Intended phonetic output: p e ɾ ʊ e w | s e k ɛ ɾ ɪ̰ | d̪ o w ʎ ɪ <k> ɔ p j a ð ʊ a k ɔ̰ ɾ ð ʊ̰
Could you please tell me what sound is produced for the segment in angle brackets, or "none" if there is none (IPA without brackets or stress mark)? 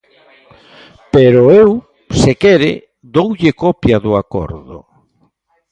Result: k